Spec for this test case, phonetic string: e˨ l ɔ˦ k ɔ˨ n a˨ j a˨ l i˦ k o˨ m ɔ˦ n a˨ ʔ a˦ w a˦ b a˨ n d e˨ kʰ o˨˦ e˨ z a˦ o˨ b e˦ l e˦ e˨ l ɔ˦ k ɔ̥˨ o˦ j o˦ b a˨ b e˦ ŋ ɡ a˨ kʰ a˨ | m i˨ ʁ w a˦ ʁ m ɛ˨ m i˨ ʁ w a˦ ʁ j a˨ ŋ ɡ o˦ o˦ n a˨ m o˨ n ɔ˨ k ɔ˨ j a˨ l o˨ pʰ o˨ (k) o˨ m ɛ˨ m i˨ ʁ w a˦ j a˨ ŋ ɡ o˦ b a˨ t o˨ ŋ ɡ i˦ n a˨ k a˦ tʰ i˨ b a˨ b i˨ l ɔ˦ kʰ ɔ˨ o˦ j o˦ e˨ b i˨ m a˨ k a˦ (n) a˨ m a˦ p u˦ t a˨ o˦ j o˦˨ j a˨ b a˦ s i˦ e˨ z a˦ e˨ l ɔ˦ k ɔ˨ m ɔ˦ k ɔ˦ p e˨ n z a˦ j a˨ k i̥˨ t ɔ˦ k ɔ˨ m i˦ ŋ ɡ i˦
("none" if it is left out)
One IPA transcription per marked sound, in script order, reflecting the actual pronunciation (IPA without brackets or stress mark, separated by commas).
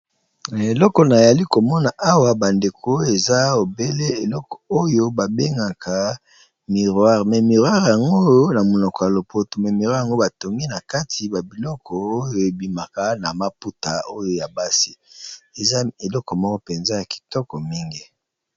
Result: t, n